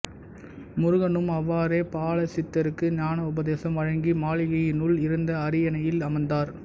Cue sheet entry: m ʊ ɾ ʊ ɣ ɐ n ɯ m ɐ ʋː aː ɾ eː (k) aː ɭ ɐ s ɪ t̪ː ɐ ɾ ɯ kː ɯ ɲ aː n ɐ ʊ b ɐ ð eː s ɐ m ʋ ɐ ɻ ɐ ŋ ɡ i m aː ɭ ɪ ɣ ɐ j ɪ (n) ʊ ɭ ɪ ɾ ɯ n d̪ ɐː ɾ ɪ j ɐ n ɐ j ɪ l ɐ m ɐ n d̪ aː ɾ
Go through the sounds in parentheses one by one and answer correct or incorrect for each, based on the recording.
incorrect, correct

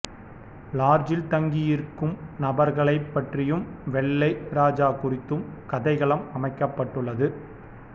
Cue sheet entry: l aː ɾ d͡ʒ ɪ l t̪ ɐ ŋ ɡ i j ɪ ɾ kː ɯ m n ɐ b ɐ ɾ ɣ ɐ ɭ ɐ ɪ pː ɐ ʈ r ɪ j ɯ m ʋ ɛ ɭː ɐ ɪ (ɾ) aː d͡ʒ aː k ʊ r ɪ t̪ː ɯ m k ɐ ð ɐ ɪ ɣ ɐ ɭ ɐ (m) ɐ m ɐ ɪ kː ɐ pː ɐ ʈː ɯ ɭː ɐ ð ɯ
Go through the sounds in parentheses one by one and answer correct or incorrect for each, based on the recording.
correct, correct

